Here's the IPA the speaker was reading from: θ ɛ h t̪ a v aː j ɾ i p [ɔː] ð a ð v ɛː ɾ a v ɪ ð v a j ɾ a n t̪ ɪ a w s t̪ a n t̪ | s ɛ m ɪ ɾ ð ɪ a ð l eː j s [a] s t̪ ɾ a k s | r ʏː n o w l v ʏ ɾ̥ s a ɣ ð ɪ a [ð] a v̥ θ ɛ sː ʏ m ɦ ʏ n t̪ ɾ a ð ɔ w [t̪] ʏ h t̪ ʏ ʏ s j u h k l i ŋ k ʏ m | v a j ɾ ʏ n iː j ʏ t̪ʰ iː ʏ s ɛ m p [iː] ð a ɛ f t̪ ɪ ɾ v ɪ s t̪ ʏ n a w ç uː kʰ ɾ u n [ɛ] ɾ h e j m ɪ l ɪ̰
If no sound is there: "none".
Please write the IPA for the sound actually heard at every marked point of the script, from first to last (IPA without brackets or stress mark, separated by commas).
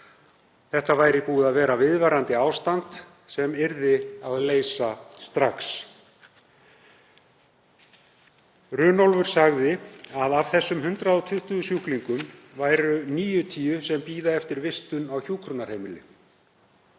uː, a, ð, t̪ʰ, iː, a